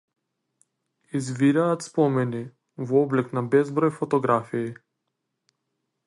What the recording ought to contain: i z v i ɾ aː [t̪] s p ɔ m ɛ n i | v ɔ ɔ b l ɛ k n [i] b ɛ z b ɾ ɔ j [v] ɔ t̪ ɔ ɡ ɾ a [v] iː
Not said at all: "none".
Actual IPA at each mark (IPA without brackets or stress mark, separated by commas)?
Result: t̪, a, f, f